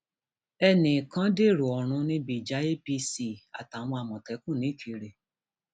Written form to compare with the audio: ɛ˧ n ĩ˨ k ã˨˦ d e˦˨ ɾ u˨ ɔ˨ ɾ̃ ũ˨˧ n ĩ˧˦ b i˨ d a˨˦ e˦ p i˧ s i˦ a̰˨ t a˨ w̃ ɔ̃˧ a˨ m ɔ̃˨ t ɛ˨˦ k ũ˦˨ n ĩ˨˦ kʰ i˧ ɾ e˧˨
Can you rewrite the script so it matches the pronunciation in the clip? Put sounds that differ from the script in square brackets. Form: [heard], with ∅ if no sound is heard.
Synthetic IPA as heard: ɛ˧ n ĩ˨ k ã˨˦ d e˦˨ ɾ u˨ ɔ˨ ɾ̃ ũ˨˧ n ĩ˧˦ b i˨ [d͡ʒ] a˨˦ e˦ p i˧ s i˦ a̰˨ t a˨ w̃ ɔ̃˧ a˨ m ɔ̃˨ t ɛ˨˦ k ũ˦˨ n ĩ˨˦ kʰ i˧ ɾ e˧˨